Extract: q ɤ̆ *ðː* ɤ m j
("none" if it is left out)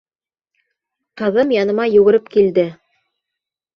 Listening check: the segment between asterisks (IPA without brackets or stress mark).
ð